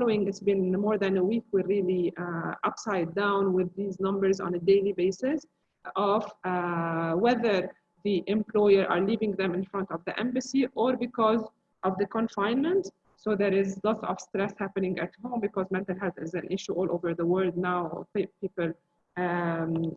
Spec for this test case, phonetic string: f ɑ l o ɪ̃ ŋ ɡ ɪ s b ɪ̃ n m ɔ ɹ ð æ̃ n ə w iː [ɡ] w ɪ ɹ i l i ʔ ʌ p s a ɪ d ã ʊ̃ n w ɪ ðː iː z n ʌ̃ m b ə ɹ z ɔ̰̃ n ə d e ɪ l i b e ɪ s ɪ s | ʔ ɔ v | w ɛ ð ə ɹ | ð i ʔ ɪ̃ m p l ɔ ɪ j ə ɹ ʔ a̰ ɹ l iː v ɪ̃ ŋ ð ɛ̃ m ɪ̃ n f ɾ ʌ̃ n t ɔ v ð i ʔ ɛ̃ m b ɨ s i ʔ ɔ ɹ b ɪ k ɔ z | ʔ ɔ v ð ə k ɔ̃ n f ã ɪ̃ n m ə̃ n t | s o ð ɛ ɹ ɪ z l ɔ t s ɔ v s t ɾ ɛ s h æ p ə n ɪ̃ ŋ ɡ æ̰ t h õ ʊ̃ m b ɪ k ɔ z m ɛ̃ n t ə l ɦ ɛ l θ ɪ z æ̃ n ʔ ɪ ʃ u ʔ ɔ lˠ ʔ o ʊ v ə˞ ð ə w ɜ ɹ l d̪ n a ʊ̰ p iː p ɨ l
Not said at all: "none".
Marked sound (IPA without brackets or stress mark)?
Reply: k